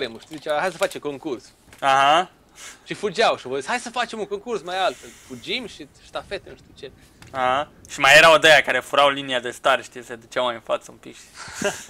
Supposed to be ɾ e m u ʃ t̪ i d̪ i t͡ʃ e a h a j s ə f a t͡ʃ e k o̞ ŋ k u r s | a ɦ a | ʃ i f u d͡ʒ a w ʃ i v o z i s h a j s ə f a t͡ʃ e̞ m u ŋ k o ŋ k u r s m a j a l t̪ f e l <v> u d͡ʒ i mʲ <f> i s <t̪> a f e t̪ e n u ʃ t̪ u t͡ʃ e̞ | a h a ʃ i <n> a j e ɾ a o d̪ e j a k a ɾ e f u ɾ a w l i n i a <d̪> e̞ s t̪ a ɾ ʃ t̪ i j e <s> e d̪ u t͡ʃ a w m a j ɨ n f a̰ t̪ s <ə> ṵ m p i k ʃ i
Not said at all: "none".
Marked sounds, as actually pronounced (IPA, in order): f, ʃ, t̪, m, d̪, s, ə

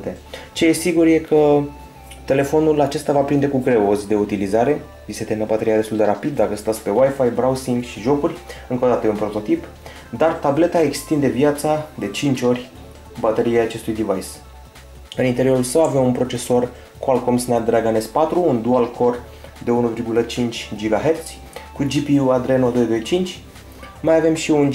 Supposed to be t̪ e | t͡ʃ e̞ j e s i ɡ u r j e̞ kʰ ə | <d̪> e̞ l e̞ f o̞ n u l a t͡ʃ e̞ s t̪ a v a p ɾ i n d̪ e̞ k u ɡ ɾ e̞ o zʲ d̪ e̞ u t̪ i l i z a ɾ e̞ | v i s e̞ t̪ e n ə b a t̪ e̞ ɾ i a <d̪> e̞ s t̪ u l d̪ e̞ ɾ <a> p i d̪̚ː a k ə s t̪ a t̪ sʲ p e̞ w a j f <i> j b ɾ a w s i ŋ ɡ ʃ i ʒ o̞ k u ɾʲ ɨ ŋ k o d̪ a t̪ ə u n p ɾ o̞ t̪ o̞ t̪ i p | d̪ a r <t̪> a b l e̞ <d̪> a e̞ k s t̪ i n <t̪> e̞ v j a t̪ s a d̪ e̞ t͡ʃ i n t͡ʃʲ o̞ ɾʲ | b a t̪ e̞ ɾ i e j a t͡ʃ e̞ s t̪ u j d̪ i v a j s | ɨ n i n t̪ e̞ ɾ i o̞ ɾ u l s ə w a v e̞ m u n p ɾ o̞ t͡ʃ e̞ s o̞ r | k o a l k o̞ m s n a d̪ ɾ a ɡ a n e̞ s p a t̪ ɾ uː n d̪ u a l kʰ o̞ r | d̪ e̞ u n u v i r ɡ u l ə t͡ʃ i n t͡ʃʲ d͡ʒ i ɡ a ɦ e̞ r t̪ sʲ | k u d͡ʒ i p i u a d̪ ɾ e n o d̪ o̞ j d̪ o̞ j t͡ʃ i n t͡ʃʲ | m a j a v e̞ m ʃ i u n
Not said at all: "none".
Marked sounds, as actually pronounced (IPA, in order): t̪, d̪, a, a, t̪, t̪, d̪

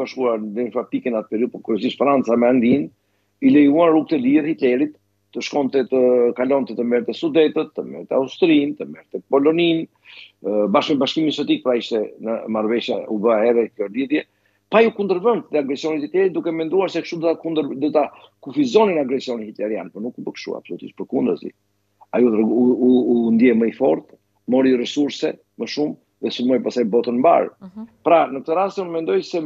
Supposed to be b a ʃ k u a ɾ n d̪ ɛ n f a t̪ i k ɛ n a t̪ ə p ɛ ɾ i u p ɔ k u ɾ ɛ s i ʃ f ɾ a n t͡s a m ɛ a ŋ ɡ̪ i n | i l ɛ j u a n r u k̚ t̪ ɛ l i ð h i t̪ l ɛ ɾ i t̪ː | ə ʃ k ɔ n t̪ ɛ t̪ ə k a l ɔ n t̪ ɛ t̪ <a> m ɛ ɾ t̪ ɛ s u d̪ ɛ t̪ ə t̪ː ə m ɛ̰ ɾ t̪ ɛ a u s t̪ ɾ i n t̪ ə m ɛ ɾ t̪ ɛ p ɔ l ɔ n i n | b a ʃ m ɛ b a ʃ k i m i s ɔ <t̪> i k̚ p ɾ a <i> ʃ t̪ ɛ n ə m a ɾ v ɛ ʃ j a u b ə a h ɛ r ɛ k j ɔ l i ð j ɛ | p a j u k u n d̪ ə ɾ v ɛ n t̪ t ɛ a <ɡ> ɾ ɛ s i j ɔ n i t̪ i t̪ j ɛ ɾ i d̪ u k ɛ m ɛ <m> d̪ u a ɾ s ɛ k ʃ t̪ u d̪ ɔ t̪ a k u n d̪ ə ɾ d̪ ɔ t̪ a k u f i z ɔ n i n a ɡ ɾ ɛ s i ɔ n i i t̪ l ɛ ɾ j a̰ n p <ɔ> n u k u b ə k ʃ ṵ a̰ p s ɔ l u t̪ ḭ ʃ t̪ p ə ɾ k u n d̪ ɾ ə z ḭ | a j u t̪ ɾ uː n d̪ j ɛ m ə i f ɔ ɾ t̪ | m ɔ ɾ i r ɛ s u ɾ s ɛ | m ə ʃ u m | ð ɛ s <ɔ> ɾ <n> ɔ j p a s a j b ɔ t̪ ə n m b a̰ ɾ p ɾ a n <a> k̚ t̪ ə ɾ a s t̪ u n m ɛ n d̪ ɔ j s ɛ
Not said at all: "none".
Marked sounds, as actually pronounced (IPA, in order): ə, t̪, i, ɡ, n, ɔ, u, m, ə

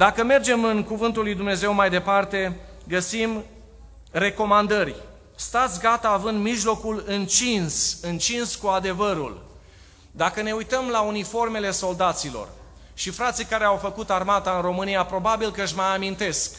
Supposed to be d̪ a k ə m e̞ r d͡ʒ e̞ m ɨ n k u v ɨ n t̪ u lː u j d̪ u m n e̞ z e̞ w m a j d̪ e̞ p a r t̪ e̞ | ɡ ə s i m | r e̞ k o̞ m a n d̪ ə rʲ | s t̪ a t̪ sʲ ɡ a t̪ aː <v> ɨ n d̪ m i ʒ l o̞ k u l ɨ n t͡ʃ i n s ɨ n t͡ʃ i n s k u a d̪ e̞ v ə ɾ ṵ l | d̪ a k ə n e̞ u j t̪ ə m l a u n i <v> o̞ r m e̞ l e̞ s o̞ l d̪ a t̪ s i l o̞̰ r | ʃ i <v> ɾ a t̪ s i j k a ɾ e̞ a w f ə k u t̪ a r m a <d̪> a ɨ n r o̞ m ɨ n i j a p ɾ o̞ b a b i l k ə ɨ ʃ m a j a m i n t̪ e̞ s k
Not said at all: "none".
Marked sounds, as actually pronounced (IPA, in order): v, f, f, t̪

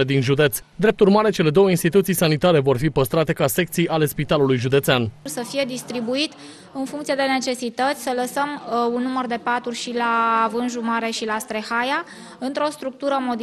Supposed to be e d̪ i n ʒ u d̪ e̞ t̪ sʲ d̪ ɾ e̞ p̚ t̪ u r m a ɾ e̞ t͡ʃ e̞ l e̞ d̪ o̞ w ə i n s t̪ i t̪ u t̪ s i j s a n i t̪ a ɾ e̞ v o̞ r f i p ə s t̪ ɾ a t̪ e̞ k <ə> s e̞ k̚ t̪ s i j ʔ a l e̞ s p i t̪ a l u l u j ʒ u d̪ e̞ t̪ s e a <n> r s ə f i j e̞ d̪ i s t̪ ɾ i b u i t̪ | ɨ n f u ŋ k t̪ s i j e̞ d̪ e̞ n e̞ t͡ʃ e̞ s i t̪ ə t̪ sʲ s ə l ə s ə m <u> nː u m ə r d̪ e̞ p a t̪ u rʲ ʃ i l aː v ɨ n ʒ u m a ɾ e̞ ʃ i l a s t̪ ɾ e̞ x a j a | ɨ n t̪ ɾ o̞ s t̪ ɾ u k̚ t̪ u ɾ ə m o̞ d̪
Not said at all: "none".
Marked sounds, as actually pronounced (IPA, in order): a, n, u

